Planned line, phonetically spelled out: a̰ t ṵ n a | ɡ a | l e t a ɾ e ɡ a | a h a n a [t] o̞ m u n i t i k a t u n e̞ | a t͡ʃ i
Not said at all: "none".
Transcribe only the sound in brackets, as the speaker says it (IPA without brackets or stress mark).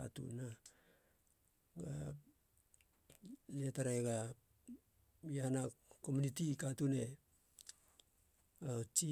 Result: k